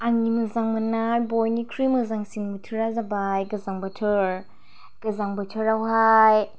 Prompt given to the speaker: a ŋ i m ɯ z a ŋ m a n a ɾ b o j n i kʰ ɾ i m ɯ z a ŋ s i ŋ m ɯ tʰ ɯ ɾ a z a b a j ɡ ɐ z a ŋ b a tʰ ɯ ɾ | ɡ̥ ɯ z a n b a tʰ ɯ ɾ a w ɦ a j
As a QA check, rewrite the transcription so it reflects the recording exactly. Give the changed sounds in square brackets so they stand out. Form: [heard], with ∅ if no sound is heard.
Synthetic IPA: a ŋ i m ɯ z a ŋ m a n a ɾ b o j n i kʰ ɾ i m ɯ z a ŋ s i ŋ m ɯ tʰ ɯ ɾ a z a b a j ɡ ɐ z a ŋ b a tʰ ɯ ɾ | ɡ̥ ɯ z a [ŋ] b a tʰ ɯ ɾ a w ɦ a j